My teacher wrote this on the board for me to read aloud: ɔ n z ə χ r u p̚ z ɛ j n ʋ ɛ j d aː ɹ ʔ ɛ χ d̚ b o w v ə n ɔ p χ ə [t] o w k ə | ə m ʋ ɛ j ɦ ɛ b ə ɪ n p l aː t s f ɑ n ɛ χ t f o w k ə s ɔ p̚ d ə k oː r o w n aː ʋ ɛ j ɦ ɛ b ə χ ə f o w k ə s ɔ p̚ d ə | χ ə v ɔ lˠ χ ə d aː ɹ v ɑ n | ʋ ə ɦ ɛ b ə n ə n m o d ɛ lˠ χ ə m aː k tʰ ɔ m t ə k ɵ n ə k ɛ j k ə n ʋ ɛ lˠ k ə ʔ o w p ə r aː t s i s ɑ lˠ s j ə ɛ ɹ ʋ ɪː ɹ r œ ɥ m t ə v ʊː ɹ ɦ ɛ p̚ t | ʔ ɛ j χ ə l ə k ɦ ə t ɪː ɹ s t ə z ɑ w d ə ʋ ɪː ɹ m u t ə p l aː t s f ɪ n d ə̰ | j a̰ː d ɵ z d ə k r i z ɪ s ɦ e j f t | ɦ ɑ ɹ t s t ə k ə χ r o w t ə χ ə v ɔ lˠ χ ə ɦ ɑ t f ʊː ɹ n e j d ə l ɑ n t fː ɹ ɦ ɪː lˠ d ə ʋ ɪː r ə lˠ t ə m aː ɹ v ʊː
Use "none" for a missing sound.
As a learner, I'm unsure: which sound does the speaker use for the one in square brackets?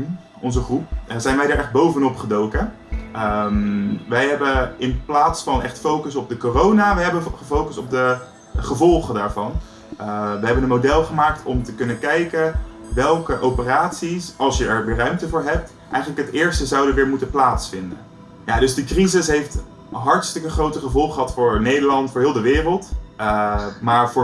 d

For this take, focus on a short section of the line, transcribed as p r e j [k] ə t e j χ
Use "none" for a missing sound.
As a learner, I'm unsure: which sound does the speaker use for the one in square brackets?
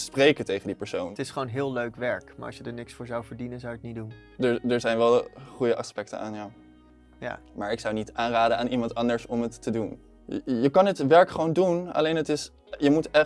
k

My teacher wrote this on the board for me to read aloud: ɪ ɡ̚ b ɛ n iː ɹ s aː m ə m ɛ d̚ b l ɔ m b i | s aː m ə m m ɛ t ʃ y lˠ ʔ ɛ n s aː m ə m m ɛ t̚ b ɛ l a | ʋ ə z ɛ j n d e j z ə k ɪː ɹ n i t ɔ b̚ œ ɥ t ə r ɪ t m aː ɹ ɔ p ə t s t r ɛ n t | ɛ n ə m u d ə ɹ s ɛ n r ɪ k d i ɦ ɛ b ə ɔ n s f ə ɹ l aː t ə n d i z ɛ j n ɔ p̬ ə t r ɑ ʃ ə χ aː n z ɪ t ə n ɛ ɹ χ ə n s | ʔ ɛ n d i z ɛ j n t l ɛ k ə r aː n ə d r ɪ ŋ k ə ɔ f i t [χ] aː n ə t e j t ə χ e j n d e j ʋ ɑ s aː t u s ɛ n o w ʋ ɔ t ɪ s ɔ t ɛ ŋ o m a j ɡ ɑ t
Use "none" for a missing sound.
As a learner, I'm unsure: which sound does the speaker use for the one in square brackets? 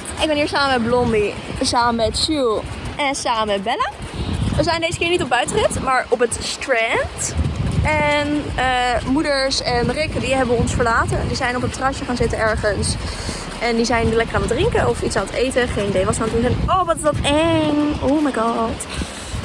s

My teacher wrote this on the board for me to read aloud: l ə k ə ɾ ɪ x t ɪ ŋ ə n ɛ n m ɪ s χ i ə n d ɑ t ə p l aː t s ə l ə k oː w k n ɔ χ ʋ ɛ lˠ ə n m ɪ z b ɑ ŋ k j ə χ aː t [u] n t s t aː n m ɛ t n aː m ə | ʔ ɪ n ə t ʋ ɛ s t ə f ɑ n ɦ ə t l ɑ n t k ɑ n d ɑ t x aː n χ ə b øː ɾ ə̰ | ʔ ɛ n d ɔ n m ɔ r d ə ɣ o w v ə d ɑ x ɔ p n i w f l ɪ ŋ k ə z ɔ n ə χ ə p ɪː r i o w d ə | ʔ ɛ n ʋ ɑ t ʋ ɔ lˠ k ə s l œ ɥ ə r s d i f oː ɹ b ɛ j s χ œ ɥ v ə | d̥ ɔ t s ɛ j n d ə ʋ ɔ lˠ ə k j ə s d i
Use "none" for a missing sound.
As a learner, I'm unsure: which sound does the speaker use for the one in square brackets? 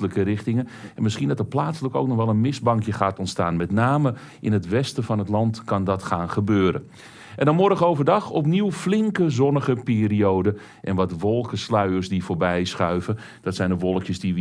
ɔ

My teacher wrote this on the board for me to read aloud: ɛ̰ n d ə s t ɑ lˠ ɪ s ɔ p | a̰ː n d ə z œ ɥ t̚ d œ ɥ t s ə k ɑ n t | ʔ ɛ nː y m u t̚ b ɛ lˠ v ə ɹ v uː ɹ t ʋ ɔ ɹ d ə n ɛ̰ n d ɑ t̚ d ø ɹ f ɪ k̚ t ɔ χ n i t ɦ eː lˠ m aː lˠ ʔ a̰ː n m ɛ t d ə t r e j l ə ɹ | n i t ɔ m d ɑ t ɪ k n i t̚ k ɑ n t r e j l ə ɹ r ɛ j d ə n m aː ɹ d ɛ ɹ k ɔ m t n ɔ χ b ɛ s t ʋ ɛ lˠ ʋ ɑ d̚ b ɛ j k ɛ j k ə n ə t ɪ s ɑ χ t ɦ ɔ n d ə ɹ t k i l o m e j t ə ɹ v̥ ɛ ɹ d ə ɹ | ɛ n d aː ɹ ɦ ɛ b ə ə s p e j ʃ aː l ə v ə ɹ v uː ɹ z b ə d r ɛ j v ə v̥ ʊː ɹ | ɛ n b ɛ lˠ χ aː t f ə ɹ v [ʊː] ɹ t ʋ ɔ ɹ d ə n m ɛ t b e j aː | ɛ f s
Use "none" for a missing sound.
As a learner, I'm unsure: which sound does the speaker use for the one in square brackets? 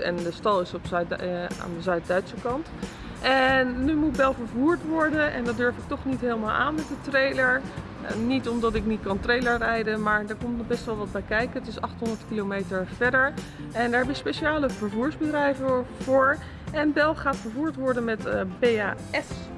uː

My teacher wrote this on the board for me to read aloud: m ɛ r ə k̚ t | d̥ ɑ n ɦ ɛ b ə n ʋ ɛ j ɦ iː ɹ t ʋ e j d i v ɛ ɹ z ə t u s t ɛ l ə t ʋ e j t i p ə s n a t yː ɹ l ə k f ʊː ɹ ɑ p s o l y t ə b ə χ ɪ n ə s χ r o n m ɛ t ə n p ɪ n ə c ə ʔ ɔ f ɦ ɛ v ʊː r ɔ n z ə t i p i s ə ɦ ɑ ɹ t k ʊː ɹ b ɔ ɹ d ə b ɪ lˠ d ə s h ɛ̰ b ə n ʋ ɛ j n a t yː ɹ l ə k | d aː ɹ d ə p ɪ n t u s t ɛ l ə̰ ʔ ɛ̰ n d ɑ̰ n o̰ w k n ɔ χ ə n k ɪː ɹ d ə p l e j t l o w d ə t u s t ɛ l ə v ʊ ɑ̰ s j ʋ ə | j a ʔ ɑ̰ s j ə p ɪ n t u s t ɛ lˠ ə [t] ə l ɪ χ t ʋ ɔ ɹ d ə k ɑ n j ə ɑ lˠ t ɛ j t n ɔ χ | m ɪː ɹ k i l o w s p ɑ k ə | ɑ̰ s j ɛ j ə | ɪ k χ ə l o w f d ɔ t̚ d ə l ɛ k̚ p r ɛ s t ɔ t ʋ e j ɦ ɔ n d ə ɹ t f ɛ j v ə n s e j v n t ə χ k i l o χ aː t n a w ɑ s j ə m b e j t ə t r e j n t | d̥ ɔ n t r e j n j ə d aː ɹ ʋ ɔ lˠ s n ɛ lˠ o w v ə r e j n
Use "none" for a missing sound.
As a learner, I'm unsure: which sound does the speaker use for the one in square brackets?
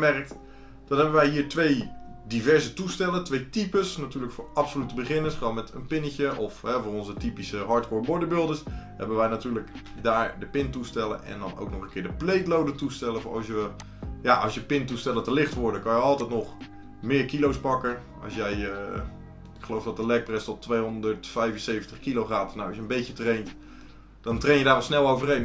t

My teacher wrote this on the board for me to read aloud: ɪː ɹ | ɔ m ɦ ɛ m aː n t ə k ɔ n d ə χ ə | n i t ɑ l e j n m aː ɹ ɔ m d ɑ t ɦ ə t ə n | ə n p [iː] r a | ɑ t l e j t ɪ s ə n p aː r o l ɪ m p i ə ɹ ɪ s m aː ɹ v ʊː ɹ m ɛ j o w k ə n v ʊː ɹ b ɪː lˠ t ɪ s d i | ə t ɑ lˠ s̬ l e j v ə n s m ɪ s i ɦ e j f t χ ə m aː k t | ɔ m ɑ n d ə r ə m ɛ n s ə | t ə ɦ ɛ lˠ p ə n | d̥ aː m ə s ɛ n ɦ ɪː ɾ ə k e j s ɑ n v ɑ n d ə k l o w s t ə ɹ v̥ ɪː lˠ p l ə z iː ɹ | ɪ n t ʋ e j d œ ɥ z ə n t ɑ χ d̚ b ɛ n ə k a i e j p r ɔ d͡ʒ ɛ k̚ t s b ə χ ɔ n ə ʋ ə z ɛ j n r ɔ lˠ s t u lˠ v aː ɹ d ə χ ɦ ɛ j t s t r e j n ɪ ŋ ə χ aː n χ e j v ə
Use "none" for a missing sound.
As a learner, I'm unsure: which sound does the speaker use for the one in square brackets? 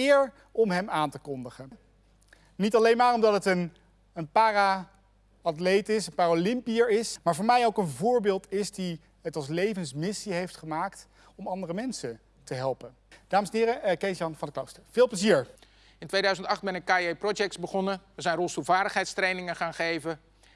aː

